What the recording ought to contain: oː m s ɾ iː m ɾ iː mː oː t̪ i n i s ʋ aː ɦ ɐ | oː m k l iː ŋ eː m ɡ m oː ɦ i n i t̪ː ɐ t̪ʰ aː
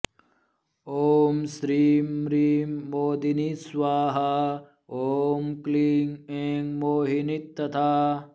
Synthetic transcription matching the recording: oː m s ɾ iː m ɾ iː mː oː d̪ i n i s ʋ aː ɦ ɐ | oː m k l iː ŋ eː ŋ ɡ m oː ɦ i n i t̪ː ɐ t̪ʰ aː